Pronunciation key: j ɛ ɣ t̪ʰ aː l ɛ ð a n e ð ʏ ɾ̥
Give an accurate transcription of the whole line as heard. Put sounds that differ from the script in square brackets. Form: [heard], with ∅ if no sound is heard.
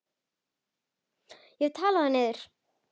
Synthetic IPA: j ɛ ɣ t̪ʰ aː l [a] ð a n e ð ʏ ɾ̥